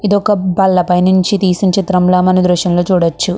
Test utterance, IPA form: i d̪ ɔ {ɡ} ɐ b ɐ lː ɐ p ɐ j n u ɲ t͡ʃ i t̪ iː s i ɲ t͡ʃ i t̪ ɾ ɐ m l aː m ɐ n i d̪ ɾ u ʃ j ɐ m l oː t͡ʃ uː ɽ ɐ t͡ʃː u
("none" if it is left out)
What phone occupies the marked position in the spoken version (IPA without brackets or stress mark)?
k